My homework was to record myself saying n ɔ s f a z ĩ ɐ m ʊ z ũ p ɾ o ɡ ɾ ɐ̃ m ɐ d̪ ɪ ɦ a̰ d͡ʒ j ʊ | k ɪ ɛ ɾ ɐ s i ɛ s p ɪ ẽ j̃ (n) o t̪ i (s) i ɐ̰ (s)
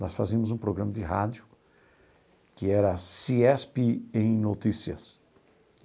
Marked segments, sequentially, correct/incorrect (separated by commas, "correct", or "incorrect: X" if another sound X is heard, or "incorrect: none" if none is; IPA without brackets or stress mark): correct, correct, correct